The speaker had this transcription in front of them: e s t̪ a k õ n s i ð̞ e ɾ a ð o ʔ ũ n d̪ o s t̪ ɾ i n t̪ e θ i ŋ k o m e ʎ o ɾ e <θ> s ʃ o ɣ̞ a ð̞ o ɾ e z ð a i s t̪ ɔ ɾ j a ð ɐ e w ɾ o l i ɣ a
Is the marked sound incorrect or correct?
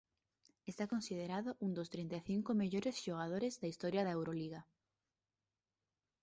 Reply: incorrect: none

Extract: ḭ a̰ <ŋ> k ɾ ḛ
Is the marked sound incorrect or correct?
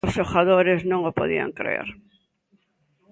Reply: correct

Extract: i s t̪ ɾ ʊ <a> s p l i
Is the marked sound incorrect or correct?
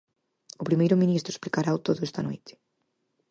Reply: incorrect: e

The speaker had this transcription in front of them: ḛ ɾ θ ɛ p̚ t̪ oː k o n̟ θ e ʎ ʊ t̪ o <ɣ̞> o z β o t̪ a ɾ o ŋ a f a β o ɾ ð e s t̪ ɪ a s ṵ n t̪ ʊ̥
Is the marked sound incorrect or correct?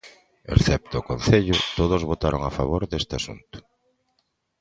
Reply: incorrect: ð̞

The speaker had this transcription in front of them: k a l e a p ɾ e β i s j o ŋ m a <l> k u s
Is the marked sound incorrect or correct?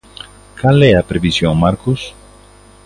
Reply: incorrect: ɾ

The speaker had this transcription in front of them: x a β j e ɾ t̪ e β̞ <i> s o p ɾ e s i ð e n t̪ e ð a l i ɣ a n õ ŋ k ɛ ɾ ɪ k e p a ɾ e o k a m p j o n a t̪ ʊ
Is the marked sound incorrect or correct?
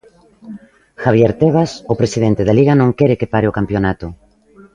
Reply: incorrect: a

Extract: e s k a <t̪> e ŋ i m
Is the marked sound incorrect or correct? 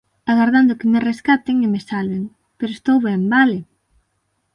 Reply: correct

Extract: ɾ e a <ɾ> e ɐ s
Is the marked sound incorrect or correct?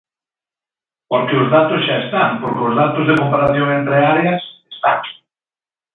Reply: correct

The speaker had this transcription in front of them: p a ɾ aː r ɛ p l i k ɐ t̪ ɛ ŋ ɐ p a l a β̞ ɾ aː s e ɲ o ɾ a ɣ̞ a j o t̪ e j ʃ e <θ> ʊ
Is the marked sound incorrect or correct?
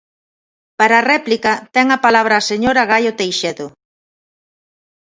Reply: incorrect: ð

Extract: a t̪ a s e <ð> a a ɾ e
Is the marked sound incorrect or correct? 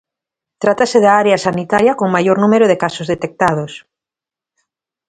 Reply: correct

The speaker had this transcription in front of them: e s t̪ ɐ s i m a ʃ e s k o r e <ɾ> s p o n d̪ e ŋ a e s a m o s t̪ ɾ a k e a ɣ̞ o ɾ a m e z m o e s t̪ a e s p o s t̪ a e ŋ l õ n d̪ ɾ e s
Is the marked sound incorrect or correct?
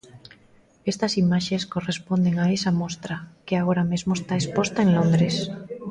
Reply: incorrect: none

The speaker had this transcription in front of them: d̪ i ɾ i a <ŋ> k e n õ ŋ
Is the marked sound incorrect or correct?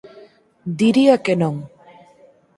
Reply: incorrect: none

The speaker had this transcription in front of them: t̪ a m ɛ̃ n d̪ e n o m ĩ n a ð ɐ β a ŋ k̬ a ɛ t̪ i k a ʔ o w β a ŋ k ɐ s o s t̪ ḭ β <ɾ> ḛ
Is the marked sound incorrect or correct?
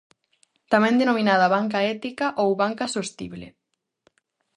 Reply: incorrect: l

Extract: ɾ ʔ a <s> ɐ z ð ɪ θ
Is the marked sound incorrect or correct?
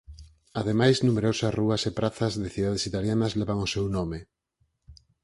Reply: incorrect: θ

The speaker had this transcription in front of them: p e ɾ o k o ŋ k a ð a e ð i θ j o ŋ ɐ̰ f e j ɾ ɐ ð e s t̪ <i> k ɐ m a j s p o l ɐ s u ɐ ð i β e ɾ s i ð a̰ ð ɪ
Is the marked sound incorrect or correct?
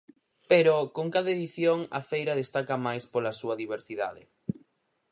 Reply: incorrect: a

